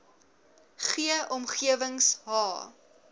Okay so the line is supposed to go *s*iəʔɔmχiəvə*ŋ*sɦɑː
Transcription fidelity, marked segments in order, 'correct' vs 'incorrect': incorrect: χ, correct

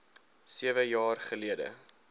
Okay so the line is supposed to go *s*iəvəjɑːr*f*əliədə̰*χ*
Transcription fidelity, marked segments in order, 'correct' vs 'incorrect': correct, incorrect: χ, incorrect: none

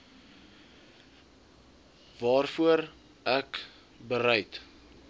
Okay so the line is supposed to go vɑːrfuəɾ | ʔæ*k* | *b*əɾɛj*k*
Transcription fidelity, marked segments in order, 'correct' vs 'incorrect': correct, correct, incorrect: t

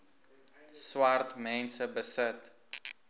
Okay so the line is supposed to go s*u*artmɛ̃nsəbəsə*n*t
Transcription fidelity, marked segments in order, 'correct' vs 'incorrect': incorrect: w, incorrect: none

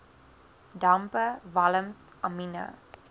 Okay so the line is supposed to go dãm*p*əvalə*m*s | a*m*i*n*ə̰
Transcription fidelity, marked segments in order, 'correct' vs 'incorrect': correct, correct, correct, correct

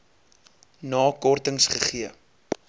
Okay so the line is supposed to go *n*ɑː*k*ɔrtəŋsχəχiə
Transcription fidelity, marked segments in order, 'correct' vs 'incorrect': correct, correct

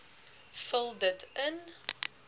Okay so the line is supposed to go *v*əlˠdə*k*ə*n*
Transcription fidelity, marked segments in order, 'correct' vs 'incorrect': incorrect: f, incorrect: t, correct

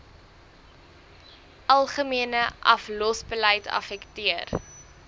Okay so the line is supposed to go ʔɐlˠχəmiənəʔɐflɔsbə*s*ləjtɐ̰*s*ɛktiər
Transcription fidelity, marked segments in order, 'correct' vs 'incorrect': incorrect: none, incorrect: f

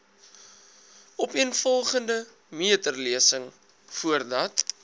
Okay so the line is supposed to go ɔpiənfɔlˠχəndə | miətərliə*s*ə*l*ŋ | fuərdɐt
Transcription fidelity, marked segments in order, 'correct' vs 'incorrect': correct, incorrect: none

